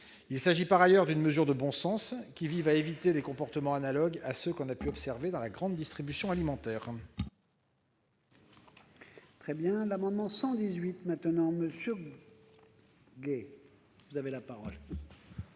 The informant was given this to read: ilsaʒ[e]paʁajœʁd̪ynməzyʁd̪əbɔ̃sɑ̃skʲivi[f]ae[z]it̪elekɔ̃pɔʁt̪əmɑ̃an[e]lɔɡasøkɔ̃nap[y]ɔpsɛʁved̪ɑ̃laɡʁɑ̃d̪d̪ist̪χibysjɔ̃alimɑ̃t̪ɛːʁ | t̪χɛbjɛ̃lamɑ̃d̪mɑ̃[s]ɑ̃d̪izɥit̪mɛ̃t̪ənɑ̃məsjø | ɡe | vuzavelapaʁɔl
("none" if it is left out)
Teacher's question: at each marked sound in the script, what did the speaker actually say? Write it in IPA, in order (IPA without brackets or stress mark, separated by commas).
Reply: i, v, v, a, y, s